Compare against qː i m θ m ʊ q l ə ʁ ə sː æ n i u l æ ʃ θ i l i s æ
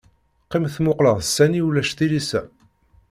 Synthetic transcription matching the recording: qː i m θ m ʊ q l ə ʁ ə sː æ n i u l æ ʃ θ i l i s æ